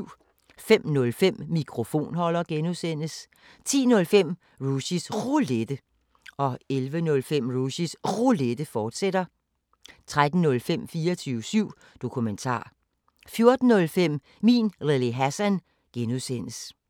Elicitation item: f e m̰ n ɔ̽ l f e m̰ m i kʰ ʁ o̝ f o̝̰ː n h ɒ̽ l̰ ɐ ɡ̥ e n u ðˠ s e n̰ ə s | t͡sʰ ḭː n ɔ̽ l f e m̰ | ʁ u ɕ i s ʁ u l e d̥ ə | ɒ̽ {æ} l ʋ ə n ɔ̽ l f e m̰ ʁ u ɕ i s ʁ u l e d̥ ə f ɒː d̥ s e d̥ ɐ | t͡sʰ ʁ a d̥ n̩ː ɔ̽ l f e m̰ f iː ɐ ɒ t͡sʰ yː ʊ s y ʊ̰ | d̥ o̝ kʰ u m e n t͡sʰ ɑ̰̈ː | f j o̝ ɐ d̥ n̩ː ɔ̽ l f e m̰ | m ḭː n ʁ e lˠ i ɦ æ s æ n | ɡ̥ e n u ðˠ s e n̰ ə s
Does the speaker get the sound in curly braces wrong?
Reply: yes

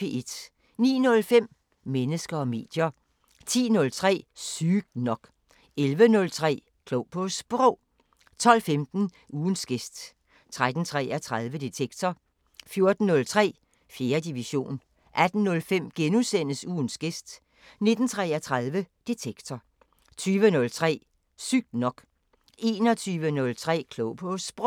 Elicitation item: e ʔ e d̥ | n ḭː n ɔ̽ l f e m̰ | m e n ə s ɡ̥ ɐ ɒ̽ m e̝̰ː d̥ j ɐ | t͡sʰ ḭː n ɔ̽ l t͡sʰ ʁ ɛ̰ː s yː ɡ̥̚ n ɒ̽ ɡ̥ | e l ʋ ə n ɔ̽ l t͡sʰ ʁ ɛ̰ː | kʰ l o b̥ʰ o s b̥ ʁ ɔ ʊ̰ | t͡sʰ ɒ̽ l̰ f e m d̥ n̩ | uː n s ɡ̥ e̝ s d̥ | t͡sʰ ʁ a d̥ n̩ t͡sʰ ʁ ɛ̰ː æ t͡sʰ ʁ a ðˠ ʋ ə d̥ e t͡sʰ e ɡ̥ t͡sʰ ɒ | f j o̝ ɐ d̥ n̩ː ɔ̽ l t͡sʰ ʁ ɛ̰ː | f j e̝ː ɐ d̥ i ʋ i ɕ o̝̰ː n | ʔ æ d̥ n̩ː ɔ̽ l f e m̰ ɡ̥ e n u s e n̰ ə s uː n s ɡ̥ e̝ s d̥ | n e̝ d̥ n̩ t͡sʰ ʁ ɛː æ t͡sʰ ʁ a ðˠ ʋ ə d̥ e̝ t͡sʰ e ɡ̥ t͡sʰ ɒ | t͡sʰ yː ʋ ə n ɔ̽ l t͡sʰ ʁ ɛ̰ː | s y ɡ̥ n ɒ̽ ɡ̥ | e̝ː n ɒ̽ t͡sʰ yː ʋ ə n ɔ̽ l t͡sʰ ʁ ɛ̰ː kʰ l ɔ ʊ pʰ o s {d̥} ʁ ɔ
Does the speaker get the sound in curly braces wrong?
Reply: yes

